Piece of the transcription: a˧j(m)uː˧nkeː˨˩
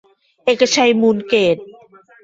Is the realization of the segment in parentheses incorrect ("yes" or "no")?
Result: no